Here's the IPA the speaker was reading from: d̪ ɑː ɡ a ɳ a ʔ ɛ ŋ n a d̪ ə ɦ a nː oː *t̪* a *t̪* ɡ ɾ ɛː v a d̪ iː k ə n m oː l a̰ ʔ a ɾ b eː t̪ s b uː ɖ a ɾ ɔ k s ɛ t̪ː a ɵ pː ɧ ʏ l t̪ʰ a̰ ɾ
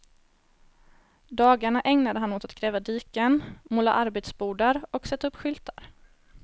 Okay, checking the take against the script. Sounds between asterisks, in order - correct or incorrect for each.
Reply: correct, correct

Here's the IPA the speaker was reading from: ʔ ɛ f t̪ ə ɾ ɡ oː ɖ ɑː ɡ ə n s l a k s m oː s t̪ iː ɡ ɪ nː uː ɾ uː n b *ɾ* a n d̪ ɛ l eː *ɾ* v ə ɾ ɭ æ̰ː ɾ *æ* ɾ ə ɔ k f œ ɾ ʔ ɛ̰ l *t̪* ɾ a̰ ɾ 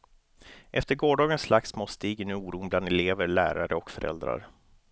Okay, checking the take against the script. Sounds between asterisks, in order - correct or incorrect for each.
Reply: incorrect: l, incorrect: none, incorrect: a, incorrect: d̪

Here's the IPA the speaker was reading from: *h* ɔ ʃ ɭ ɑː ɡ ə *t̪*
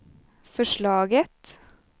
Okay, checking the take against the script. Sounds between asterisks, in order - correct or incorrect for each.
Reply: incorrect: f, correct

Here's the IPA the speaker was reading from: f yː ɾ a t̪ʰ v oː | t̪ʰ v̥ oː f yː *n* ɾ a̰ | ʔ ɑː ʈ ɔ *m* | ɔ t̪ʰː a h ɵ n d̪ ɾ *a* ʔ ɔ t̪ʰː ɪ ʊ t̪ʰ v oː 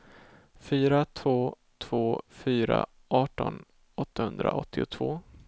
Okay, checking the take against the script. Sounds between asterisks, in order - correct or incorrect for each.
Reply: incorrect: none, incorrect: n, correct

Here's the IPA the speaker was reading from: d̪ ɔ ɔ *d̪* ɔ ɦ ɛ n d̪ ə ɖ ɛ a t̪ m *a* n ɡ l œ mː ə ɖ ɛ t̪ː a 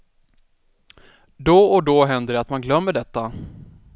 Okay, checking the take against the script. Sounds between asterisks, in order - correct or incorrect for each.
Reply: correct, correct

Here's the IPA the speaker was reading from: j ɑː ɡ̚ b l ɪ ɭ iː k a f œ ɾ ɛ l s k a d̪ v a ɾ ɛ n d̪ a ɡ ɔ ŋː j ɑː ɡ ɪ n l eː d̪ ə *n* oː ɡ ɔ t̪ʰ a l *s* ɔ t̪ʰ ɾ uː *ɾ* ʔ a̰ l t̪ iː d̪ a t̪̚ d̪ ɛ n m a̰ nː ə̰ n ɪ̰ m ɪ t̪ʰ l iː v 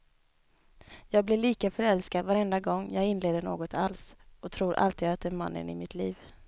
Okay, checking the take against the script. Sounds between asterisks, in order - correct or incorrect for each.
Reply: incorrect: ɳ, correct, correct

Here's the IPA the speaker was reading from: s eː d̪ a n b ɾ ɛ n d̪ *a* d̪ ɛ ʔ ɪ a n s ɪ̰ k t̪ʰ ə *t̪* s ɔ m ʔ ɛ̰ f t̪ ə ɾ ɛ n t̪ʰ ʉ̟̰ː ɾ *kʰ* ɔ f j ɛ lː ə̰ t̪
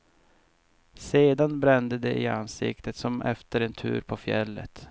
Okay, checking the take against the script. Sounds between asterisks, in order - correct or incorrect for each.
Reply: incorrect: ə, correct, incorrect: pʰ

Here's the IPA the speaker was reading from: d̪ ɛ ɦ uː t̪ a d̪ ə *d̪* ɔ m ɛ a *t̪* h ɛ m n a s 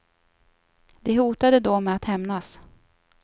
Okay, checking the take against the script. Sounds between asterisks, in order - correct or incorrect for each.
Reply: correct, correct

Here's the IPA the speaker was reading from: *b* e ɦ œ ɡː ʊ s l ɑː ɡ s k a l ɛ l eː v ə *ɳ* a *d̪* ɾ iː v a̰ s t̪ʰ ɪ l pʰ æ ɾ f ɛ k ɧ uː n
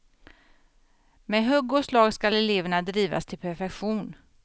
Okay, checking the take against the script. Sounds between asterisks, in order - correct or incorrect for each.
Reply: incorrect: m, correct, correct

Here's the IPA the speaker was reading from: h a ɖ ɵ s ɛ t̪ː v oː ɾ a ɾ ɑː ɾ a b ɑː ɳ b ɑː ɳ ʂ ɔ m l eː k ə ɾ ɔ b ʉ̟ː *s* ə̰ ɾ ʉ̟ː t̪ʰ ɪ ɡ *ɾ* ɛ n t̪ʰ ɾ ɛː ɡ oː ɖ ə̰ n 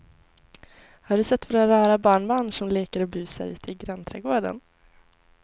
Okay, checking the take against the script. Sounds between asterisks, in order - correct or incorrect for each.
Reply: correct, correct

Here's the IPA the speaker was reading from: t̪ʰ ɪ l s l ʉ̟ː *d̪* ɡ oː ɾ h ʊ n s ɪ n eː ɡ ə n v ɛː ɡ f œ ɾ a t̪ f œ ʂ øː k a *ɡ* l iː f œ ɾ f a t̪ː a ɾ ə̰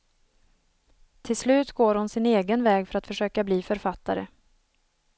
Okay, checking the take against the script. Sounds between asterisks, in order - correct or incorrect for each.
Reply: incorrect: t̪, incorrect: b

